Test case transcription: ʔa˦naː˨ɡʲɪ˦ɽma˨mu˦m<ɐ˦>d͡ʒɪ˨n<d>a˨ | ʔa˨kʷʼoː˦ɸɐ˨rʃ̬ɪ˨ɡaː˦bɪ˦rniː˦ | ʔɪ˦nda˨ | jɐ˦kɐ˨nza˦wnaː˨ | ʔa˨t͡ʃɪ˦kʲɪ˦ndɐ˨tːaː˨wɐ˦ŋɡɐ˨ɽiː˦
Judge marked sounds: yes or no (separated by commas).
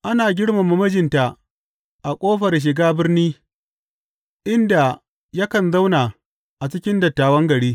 yes, no